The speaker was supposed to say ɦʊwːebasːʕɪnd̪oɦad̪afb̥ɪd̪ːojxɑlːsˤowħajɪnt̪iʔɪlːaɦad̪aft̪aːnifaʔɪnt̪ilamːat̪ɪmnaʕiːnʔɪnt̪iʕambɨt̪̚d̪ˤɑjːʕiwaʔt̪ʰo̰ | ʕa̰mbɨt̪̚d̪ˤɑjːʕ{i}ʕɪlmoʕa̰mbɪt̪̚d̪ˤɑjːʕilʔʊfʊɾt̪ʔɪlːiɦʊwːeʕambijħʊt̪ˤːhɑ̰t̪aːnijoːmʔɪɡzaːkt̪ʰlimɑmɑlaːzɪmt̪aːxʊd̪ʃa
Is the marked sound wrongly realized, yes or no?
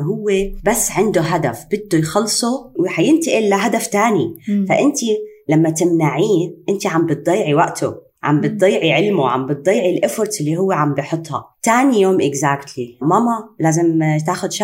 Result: no